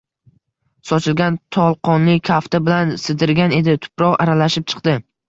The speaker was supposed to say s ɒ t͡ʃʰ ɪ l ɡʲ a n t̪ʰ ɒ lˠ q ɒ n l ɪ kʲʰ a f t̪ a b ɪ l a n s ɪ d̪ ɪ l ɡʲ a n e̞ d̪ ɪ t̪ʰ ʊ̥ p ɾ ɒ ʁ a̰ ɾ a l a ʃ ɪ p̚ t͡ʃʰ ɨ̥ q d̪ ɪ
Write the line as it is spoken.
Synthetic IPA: s ɒ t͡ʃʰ ɪ l ɡʲ a n t̪ʰ ɒ lˠ q ɒ n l ɪ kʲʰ a f t̪ a b ɪ l a n s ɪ d̪ ɪ ɾ ɡʲ a n e̞ d̪ ɪ t̪ʰ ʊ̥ p ɾ ɒ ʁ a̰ ɾ a l a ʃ ɪ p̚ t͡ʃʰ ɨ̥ q d̪ ɪ

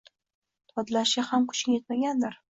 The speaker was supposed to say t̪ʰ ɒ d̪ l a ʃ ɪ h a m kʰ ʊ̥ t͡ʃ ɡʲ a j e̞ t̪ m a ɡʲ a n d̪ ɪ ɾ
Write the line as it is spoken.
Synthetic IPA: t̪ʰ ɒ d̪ l a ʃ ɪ h a m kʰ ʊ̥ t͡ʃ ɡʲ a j e̞ t̪ m a ɡʲ a n d̪ ɪ ɾ

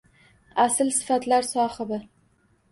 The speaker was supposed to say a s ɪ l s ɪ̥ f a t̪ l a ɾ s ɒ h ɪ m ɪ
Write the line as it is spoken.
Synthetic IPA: a s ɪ l s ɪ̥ f a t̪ l a ɾ s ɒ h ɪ b ɪ

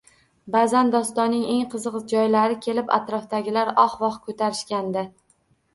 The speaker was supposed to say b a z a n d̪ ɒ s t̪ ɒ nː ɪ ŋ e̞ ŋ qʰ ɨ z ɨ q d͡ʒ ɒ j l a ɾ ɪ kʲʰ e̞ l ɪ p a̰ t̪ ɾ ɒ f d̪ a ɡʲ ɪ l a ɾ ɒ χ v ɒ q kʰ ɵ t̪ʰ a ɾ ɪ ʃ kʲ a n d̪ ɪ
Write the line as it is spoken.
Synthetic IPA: b a z a n d̪ ɒ s t̪ ɒ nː ɪ ŋ e̞ ŋ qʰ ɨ z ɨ q d͡ʒ ɒ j l a ɾ ɪ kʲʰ e̞ l ɪ p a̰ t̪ ɾ ɒ f d̪ a ɡʲ ɪ l a ɾ ɒ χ v ɒ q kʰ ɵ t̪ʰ a ɾ ɪ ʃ kʲ a n d̪ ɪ

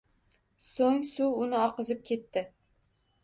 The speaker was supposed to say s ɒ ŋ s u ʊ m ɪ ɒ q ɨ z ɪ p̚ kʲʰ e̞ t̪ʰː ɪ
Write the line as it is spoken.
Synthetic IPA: s o ŋ s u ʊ n ɪ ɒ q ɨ z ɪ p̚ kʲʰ e̞ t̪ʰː ɪ

